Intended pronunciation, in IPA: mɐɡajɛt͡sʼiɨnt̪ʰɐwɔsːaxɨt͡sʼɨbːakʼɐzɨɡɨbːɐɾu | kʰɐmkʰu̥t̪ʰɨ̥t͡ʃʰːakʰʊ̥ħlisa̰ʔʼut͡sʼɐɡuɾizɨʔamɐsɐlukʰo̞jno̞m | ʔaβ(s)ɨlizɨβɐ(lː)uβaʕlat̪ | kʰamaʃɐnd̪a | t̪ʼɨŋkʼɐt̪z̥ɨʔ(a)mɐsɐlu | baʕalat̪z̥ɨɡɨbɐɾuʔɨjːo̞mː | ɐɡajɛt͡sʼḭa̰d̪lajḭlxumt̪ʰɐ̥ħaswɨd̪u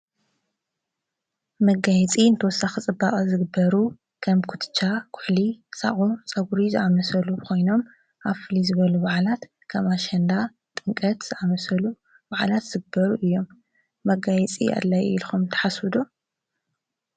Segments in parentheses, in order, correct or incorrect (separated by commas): incorrect, incorrect, correct